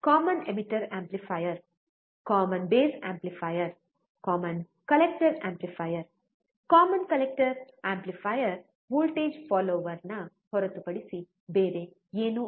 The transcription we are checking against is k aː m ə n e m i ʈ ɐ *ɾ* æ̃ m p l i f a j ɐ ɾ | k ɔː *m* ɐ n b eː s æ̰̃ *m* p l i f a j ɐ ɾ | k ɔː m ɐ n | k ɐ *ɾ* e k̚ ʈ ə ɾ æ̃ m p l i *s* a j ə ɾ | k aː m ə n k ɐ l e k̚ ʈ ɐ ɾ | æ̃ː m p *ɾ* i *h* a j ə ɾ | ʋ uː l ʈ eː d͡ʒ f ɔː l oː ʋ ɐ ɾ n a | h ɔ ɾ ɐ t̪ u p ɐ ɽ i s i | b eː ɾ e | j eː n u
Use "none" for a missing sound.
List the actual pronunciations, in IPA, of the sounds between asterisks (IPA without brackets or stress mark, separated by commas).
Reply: ɾ, m, m, l, f, l, f